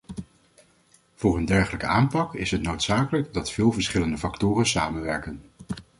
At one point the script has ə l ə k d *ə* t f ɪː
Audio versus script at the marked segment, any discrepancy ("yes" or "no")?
yes